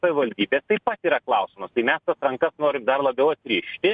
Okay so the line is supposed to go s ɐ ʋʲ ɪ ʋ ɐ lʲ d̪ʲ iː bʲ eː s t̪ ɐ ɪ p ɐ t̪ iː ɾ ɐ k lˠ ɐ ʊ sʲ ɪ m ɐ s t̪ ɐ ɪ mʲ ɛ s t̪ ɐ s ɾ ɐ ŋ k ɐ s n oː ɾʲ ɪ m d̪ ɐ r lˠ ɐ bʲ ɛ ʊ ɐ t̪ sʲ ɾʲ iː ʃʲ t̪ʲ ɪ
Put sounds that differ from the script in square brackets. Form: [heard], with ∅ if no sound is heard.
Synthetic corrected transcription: s ɐ ʋʲ ɪ ʋ ɐ lʲ d̪ʲ iː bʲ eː s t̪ ɐ ɪ p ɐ t̪ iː ɾ ɐ k lˠ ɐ ʊ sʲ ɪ m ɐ s t̪ ɐ ɪ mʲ ɛ s t̪ ɐ s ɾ ɐ ŋ k ɐ s n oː ɾʲ ɪ m d̪ ɐ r lˠ ɐ bʲ ɛ ʊ ɐ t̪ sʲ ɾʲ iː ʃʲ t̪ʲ ɪ